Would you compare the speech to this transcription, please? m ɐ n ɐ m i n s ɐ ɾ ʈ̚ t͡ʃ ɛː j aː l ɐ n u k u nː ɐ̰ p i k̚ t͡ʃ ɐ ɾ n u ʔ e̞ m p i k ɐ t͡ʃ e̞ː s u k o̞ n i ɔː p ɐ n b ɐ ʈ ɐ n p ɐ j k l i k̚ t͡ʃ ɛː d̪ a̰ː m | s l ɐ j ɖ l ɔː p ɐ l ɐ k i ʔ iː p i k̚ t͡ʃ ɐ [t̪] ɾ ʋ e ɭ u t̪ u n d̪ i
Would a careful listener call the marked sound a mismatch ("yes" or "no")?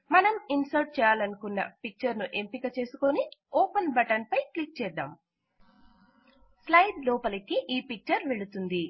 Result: yes